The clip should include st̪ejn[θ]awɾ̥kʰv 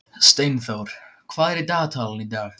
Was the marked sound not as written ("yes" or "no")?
no